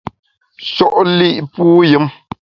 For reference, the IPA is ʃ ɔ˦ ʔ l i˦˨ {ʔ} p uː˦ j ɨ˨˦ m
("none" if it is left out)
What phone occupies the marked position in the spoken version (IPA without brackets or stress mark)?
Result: ʔ